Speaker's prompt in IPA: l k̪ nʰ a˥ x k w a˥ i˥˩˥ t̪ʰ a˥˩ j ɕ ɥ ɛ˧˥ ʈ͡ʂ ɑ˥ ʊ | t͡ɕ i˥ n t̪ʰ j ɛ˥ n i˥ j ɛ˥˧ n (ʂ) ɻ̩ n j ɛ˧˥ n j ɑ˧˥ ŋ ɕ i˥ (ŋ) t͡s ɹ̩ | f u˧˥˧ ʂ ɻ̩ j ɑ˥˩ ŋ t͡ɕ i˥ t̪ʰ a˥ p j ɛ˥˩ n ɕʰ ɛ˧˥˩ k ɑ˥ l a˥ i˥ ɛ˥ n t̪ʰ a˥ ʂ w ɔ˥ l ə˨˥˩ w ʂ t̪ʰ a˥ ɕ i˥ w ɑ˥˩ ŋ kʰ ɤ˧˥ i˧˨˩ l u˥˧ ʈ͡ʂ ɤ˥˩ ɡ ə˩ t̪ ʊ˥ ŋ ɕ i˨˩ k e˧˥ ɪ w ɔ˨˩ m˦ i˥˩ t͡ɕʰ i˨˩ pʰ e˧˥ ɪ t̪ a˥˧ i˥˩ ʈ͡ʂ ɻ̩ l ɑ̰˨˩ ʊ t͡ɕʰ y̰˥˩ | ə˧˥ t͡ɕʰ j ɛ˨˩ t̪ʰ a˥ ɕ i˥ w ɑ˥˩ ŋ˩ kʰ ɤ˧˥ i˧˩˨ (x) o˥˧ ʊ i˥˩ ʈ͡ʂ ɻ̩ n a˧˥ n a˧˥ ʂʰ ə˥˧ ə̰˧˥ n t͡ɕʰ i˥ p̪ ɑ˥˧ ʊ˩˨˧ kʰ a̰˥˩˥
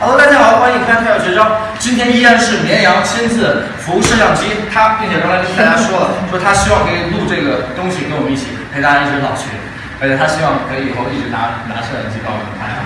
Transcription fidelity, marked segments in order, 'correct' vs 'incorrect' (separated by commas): correct, incorrect, correct